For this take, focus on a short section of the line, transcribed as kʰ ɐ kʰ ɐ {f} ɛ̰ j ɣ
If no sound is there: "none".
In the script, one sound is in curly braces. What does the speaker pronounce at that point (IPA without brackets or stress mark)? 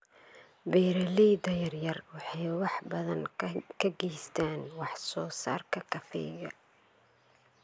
f